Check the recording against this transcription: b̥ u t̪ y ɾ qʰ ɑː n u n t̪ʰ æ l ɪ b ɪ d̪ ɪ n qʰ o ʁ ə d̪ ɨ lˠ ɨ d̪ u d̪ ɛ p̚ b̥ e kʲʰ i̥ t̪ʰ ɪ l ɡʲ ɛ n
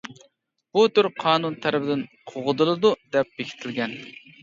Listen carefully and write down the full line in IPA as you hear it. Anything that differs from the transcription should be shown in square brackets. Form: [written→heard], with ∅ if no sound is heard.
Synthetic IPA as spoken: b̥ u t̪ y ɾ qʰ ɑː n u n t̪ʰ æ [l→ɾ] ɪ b ɪ d̪ ɪ n qʰ o ʁ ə d̪ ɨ lˠ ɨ d̪ u d̪ ɛ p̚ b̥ e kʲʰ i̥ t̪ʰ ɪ l ɡʲ ɛ n